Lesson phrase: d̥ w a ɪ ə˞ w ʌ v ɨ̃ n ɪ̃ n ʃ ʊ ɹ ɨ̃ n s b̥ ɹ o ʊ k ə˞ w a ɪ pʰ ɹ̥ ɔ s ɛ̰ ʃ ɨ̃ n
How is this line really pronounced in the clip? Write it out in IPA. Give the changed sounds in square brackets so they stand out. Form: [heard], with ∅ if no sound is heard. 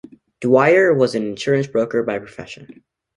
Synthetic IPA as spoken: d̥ w a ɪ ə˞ w ʌ [z] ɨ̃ n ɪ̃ n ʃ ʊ ɹ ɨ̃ n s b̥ ɹ o ʊ k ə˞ [b] a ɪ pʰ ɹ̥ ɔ [f] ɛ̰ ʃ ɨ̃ n